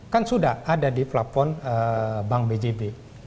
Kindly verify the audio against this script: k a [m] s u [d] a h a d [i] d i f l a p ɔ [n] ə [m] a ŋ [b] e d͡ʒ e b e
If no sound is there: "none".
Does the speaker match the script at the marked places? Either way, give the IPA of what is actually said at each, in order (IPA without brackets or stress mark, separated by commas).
n, d, a, n, b, b